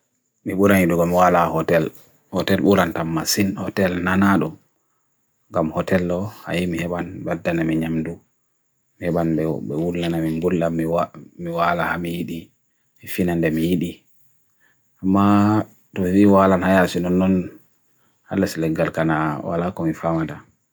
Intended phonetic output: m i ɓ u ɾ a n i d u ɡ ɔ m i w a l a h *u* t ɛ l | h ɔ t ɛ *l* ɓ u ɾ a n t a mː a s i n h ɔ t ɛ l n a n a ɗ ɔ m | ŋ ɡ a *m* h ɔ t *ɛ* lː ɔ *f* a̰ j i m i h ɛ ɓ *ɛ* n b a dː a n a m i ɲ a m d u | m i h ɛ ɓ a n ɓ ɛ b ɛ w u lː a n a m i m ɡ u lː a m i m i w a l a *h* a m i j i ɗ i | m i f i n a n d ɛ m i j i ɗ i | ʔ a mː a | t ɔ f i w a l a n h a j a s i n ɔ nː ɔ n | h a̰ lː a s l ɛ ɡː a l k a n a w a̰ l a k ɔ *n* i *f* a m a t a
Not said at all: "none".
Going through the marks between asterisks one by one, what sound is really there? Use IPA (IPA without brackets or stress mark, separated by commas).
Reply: ɔ, l, m, ɛ, h, a, h, m, f